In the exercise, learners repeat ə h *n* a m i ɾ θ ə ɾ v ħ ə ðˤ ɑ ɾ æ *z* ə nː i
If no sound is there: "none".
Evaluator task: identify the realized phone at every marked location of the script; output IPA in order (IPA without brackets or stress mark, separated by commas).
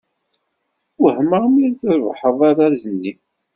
m, z